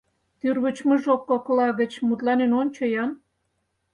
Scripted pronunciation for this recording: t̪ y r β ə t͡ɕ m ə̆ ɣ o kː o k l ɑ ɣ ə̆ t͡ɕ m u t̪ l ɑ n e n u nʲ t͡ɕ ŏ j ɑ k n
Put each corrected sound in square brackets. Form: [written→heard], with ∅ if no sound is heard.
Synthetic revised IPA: t̪ y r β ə t͡ɕ m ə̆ [ɣ→ʒ] o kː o k l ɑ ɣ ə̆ t͡ɕ m u t̪ l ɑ n e n [u→o] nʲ t͡ɕ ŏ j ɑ [k→∅] n